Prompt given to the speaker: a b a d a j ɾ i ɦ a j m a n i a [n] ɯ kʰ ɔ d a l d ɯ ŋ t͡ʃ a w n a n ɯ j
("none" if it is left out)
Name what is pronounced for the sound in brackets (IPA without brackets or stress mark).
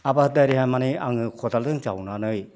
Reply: ŋ